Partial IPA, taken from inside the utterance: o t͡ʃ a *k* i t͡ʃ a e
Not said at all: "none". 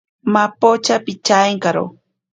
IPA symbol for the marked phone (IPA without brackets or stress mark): p